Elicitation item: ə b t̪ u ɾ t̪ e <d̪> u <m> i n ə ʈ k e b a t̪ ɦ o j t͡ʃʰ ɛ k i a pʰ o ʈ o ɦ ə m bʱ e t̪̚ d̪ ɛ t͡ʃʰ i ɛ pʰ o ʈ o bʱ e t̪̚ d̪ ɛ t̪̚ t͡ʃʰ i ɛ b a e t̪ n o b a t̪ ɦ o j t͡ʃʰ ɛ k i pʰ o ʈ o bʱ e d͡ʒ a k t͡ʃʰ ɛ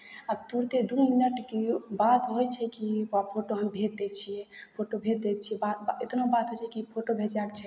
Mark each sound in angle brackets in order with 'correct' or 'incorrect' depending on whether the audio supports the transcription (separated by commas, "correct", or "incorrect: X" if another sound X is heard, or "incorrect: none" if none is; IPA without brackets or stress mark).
correct, correct